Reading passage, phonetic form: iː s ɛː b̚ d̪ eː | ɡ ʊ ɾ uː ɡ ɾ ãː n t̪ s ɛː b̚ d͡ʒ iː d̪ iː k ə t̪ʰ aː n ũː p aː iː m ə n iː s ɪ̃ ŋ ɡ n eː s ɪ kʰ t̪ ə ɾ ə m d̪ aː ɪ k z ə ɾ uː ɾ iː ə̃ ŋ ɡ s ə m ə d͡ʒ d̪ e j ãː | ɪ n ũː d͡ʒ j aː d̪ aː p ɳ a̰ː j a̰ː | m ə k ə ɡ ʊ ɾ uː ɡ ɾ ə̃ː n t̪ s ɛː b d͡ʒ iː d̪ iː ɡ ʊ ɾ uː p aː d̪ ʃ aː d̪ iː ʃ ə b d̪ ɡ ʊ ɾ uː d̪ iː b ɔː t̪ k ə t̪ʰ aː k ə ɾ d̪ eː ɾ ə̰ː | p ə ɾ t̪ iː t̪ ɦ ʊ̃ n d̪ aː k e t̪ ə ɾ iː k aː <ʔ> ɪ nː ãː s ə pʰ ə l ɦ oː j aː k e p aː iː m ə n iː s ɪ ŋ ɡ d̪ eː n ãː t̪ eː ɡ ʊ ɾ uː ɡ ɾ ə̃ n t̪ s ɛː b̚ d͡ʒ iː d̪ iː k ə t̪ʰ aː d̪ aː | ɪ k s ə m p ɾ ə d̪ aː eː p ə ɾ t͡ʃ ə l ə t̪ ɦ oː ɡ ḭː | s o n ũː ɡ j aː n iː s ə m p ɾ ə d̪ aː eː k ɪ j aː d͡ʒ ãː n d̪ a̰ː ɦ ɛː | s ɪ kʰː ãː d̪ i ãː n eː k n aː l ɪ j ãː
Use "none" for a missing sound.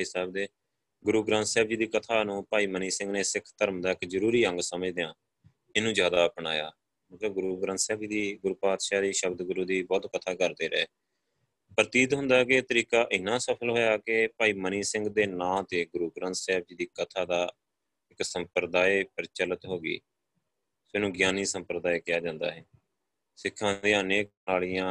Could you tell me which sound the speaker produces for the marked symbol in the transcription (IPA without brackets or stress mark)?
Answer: ʔ